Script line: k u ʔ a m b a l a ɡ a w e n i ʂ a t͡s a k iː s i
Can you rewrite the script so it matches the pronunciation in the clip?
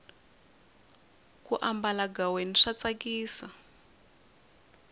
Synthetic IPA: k u ʔ a m b a l a ɡ a w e n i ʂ a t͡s a k iː s a